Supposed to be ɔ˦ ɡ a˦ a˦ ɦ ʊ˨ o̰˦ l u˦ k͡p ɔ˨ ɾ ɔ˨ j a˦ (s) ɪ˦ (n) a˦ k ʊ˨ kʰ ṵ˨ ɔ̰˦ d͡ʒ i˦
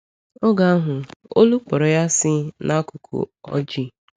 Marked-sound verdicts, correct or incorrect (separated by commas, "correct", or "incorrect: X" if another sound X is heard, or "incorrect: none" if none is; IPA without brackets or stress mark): correct, correct